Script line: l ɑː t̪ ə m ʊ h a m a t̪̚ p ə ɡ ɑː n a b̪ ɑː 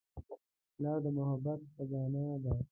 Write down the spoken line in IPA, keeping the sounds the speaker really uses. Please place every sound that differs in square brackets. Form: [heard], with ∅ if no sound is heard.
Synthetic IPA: l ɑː [d̪] ə m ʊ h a [b] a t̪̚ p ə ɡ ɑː n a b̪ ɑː